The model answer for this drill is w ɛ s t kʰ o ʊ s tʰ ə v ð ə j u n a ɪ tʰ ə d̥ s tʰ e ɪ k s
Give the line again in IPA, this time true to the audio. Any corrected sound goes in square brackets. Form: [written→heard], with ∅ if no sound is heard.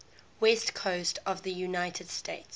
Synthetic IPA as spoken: w ɛ s t kʰ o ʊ s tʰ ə v ð ə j u n a ɪ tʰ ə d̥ s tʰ e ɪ [k→t] s